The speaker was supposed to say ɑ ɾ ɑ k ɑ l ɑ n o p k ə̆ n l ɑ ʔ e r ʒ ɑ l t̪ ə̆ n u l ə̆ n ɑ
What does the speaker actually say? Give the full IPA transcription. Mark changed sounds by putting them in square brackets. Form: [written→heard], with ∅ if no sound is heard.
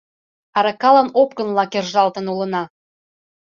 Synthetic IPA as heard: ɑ ɾ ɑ k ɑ l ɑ n o p k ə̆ n l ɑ [ʔ→k] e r ʒ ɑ l t̪ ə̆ n u l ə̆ n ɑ